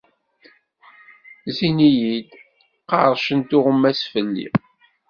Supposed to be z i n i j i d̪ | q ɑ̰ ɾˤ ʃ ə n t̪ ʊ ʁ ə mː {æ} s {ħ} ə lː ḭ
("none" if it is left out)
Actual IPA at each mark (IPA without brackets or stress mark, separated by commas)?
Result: æ, f